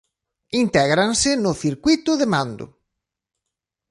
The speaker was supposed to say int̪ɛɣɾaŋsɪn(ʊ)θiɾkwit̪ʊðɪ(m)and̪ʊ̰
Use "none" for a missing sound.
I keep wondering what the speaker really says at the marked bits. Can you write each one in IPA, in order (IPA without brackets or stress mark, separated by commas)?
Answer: ʊ, m